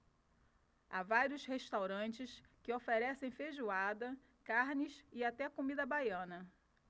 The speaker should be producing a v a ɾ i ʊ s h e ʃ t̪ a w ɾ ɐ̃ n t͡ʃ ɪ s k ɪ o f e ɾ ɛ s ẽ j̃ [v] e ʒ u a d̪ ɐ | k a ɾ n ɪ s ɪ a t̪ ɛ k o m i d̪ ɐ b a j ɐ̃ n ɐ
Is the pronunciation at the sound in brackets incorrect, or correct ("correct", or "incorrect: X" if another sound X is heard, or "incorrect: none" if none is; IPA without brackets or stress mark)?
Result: incorrect: f